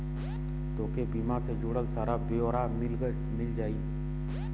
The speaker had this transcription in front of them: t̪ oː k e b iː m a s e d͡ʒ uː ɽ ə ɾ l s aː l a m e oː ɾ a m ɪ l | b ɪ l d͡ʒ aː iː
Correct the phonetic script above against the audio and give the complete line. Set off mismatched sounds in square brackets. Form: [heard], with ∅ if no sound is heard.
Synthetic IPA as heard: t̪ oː k e b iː m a s e d͡ʒ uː ɽ ə [∅] l s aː [ɾ] a [b] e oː ɾ a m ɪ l | [m] ɪ l d͡ʒ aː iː